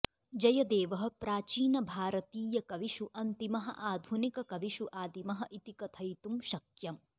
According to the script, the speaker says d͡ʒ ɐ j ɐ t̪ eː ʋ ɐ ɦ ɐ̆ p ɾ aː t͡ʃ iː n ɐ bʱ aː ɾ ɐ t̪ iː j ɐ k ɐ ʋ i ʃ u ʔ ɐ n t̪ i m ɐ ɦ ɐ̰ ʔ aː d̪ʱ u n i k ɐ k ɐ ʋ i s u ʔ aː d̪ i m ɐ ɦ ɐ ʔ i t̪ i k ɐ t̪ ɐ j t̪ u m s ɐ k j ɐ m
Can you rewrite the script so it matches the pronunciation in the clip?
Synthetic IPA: d͡ʒ ɐ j ɐ d̪ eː ʋ ɐ ɦ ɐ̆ p ɾ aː t͡ʃ iː n ɐ bʱ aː ɾ ɐ t̪ iː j ɐ k ɐ ʋ i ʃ u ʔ ɐ n t̪ i m ɐ ɦ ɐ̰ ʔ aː d̪ʱ u n i k ɐ k ɐ ʋ i ʃ u ʔ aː d̪ i m ɐ ɦ ɐ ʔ i t̪ i k ɐ t̪ʰ ɐ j t̪ u m ʃ ɐ k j ɐ m